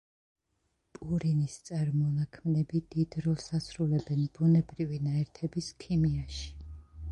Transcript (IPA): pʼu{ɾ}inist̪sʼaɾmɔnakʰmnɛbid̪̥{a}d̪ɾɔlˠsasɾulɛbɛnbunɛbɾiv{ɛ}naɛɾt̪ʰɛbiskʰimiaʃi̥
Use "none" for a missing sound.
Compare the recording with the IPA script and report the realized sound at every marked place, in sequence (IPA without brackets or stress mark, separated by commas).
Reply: ɾ, i, i